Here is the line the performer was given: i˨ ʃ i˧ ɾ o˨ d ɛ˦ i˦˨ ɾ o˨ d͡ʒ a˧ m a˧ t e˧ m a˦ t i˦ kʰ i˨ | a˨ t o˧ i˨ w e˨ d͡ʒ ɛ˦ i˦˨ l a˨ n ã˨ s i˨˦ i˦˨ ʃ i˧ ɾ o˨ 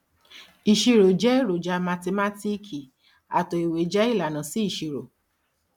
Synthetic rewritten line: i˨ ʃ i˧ ɾ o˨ d͡ʒ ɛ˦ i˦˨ ɾ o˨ d͡ʒ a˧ m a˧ t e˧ m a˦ t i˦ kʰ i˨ | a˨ t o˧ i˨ w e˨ d͡ʒ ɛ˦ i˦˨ l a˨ n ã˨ s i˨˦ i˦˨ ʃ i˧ ɾ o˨